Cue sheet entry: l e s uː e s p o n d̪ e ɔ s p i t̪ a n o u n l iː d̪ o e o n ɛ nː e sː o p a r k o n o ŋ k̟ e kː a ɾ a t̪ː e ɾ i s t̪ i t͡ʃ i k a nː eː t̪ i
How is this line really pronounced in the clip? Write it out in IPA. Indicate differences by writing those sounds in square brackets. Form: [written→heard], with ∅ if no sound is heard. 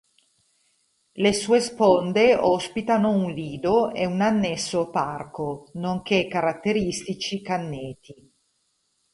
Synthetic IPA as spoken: l e s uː e s p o n d̪ e ɔ s p i t̪ a n o u n l iː d̪ o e [o→u] n [ɛ→a] nː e sː o p a r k o n o ŋ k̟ e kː a ɾ a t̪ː e ɾ i s t̪ i t͡ʃ i k a nː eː t̪ i

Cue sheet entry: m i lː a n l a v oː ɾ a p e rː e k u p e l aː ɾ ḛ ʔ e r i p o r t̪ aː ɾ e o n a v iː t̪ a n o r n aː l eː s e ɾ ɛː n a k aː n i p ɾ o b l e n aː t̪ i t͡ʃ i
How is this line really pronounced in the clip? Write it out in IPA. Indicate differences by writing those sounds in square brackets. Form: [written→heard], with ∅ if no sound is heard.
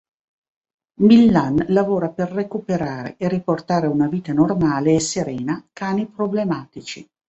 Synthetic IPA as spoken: m i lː a n l a v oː ɾ a p e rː e k u p e [l→ɾ] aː ɾ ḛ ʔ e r i p o r t̪ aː ɾ e [o→u] n a v iː t̪ a n o r [n→m] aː l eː s e ɾ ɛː n a k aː n i p ɾ o b l e [n→m] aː t̪ i t͡ʃ i

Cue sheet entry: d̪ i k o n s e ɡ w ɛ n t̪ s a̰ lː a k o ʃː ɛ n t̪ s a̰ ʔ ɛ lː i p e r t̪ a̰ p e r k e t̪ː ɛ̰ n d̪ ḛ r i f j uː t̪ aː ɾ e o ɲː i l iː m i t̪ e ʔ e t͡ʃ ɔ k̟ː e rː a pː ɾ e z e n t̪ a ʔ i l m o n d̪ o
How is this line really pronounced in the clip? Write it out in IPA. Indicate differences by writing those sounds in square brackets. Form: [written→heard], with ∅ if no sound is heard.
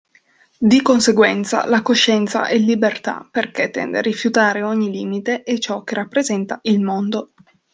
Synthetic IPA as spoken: d̪ i k o n s e ɡ w ɛ n t̪ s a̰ [lː→l] a k o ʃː ɛ n t̪ s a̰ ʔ ɛ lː i [p→b] e r t̪ a̰ p e r k e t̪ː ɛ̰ n d̪ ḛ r i f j [uː→u] t̪ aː ɾ e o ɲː i l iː m i t̪ e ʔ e t͡ʃ ɔ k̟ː e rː a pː ɾ e z [e→ɛ] n t̪ a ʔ i l m o n d̪ o

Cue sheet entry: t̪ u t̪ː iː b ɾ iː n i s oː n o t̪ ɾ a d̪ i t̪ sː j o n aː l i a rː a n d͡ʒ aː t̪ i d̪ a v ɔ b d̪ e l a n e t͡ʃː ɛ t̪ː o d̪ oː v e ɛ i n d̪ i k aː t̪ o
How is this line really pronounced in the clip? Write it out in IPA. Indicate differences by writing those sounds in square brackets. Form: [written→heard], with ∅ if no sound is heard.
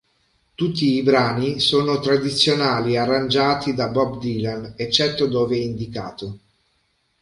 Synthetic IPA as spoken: t̪ u t̪ː iː b ɾ [iː→aː] n i s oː n o t̪ ɾ a d̪ i t̪ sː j o n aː l i a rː a n d͡ʒ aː t̪ i d̪ a [v→b] ɔ b d̪ [e→i] l a n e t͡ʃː ɛ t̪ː o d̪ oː v e ɛ i n d̪ i k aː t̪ o

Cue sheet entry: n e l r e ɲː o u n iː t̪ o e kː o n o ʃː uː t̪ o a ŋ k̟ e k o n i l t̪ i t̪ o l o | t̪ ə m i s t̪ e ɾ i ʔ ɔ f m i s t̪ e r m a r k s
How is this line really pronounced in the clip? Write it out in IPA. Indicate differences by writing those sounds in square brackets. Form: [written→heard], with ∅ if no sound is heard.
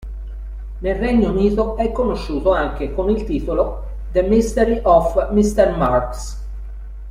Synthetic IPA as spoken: n e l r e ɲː o u n iː t̪ o [e→ɛ] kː o n o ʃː uː t̪ o a ŋ k̟ e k o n i l t̪ [i→iː] t̪ o l o | [t̪→d̪] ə m i s t̪ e ɾ i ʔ ɔ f m i s t̪ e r m a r k s

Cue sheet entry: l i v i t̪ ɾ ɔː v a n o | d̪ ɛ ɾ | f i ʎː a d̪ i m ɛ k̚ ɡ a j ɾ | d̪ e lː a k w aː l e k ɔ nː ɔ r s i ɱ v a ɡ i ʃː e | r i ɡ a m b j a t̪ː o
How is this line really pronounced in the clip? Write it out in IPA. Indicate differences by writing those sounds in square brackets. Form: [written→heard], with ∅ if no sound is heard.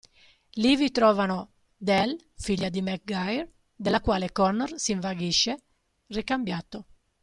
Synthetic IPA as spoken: l i v i t̪ ɾ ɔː v a n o | d̪ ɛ [ɾ→l] | f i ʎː a d̪ i m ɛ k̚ ɡ a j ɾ | d̪ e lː a k w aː l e k ɔ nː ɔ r s i ɱ v a ɡ i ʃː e | r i [ɡ→k] a m b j a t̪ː o

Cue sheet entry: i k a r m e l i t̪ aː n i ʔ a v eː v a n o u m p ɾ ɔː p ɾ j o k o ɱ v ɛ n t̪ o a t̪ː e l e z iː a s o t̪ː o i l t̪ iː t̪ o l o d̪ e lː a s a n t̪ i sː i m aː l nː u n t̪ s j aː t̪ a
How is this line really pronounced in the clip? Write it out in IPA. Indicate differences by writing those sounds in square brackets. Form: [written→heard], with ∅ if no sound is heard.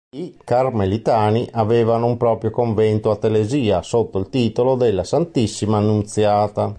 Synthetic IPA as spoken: i k a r m e l i t̪ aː n i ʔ a v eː v a n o u m p ɾ ɔː p ɾ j o k o ɱ v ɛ n t̪ o a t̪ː e l e z iː a s o t̪ː o i l t̪ iː t̪ o l o d̪ e lː a s a n t̪ i sː i m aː [l→∅] nː u n t̪ s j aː t̪ a

